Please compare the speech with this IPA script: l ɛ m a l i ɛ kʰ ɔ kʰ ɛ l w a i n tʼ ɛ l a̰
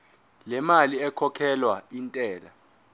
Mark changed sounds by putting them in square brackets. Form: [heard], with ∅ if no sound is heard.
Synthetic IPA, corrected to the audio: l ɛ m a l i ɛ kʰ ɔ kʰ ɛ l w a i n tʼ [ɛː] l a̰